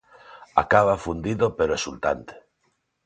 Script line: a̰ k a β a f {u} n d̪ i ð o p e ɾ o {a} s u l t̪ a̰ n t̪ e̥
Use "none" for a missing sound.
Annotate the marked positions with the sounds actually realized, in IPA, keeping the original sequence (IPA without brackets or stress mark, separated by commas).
u, e